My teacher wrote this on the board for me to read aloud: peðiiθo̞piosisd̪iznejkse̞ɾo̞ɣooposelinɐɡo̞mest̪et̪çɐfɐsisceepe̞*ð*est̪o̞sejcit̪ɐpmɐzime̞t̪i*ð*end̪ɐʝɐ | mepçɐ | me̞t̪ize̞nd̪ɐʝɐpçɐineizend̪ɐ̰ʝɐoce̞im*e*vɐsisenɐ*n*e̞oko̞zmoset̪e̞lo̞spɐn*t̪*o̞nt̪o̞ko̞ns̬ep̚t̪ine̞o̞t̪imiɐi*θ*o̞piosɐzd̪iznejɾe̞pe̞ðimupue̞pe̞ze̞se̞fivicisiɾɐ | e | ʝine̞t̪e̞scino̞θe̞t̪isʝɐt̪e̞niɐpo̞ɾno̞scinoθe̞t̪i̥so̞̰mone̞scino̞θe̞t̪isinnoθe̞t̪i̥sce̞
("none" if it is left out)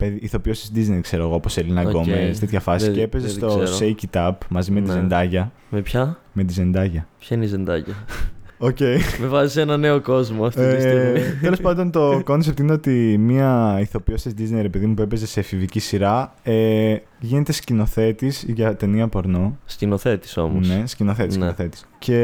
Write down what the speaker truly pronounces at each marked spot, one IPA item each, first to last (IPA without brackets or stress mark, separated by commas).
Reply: z, z, e, n, d̪, θ